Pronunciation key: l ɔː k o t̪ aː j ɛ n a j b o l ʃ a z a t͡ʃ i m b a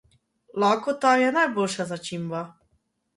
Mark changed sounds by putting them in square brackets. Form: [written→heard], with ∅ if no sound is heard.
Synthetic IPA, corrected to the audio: l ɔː k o t̪ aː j ɛ n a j b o l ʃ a z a t͡ʃ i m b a